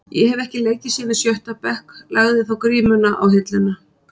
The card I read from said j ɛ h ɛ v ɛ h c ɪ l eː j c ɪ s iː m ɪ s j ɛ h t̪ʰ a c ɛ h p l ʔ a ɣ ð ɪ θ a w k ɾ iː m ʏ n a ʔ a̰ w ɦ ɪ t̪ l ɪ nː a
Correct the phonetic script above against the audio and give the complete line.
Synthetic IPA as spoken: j ɛ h ɛ v ɛ h c ɪ l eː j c ɪ s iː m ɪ s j œ h t̪ a p ɛ h k l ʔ a ɣ ð ɪ θ a w k ɾ iː m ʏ n a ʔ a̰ w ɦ ɪ t̪ l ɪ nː a